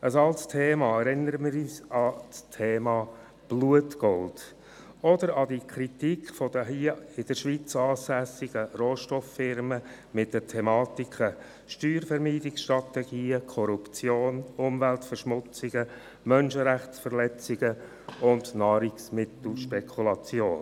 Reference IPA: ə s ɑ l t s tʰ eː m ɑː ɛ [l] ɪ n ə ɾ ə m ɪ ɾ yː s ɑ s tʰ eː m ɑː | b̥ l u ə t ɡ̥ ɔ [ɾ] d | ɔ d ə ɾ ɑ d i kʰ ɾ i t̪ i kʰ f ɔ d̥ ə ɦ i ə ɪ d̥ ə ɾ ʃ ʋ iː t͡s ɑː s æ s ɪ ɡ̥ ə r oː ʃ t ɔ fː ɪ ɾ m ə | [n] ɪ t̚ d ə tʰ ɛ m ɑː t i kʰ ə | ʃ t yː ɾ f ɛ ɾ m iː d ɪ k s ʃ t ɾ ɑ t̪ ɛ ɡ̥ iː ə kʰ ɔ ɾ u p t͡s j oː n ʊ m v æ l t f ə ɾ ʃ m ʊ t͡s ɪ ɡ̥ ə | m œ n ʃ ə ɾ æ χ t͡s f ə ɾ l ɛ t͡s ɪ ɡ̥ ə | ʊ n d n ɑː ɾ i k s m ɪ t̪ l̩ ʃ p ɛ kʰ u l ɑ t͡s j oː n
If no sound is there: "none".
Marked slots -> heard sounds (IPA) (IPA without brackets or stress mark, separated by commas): ɾ, l, m